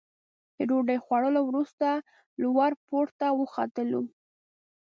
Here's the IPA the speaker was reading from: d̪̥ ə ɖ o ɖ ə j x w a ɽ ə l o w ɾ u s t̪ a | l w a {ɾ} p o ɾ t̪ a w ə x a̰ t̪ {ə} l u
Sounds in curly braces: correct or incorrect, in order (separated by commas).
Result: correct, correct